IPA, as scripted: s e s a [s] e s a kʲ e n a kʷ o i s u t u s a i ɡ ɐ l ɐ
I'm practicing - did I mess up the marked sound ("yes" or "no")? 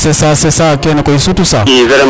no